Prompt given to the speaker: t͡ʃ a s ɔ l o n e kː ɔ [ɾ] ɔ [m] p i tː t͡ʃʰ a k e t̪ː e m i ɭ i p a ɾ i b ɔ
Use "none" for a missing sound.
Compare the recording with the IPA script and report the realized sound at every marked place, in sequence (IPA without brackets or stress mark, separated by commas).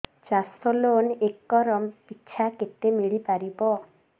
ɾ, m